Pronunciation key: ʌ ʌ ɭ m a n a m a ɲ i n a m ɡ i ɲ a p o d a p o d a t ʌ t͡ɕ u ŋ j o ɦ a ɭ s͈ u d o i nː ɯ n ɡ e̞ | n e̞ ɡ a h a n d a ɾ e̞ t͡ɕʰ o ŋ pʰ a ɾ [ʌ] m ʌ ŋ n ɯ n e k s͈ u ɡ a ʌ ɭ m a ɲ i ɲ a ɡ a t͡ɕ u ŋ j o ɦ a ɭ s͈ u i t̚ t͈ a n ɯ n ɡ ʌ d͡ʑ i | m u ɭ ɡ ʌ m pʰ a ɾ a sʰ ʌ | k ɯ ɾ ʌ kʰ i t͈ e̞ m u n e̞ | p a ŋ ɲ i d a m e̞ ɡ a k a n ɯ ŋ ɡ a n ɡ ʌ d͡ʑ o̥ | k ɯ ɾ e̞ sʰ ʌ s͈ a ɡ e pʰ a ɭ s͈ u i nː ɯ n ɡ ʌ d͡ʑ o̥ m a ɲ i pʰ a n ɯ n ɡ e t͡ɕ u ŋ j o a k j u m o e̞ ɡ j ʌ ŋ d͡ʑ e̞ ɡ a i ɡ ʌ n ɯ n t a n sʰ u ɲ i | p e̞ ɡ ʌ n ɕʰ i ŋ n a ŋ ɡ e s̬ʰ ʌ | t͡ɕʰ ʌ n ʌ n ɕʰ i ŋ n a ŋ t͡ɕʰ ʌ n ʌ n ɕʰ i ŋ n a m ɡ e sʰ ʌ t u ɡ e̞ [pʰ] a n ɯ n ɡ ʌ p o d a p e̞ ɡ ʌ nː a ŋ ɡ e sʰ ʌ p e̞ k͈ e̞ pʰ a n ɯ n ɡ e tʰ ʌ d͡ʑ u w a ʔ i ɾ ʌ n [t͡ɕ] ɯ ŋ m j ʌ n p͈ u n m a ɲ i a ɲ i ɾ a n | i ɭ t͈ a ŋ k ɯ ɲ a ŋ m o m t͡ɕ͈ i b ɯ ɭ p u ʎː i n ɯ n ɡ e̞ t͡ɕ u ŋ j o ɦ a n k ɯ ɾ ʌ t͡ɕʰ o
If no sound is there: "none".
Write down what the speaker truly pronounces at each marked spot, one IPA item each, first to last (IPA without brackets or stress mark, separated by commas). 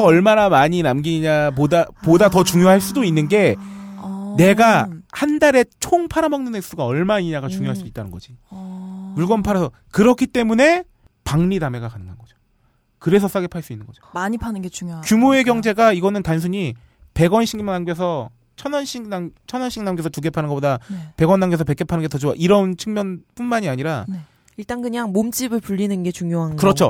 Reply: a, pʰ, t͡ɕʰ